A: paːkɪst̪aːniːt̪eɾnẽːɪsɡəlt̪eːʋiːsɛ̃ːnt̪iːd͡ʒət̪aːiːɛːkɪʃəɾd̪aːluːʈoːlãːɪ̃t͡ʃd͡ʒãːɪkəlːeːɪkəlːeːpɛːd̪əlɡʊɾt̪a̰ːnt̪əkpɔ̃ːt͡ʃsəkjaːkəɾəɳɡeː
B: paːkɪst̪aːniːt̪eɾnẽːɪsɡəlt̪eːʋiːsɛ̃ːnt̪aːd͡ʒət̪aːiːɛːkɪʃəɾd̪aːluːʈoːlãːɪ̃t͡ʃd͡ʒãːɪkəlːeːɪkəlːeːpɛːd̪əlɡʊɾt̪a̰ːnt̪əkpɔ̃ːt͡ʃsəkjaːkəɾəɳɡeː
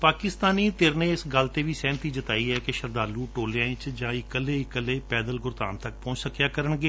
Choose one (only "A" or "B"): A